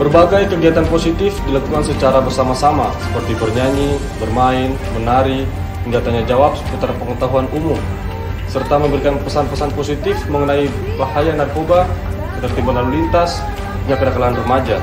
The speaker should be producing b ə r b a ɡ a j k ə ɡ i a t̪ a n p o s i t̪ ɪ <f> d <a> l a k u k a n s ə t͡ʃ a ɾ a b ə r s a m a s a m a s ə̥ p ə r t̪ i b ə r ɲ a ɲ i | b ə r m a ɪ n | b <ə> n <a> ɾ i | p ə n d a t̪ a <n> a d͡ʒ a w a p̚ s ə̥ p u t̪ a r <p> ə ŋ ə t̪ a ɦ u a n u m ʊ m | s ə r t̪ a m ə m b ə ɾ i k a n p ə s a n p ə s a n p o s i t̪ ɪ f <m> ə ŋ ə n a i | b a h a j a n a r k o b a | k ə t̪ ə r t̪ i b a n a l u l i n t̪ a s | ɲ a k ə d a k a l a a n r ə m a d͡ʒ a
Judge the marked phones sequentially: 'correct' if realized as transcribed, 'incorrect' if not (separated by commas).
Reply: correct, incorrect, correct, correct, incorrect, correct, correct